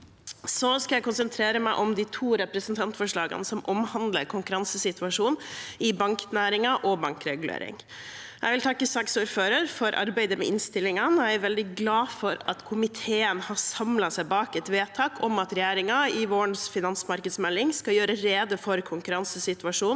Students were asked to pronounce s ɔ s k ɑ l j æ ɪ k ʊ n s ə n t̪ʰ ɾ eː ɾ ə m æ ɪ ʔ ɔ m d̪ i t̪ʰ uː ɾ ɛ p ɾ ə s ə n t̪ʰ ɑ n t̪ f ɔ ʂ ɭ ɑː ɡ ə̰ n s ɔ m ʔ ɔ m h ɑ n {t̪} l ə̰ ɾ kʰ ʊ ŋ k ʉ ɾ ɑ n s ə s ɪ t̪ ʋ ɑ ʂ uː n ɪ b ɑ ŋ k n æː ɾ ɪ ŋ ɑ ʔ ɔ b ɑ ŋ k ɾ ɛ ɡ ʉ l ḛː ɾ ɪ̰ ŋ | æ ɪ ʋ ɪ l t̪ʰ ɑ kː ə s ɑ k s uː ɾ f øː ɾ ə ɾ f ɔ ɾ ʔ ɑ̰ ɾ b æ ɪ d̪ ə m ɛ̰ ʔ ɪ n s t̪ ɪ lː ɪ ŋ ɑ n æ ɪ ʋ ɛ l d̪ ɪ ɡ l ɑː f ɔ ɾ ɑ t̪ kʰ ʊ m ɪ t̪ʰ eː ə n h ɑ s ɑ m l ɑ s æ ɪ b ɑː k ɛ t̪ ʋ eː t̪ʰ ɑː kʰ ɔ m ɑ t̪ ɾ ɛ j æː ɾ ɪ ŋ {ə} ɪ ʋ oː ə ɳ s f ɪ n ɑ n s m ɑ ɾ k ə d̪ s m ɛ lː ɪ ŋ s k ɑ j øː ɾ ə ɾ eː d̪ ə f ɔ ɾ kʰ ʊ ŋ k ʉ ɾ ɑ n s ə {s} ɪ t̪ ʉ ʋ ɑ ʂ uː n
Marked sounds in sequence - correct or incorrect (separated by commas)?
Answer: incorrect, incorrect, correct